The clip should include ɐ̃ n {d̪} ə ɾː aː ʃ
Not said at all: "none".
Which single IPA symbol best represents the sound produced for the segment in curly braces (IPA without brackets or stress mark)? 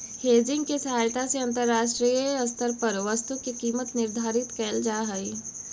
t̪